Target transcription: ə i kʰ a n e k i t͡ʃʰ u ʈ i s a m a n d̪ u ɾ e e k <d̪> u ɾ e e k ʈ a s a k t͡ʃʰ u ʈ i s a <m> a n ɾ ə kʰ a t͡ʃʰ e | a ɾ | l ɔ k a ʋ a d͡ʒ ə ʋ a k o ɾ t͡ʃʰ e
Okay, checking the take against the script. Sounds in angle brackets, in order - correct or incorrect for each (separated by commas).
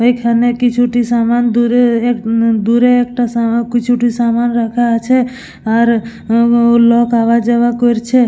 correct, correct